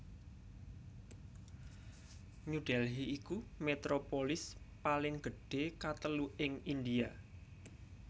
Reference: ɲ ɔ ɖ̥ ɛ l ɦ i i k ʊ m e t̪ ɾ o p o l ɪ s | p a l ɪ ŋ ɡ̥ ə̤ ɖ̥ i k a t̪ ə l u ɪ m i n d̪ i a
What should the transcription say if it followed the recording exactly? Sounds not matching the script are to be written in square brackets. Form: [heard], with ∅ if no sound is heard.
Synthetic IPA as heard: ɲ [u] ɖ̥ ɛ l ɦ i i k [u] m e t̪ ɾ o p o l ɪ s | p a l ɪ ŋ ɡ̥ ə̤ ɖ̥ [e] k a t̪ ə l u ɪ [ŋ] i n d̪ i a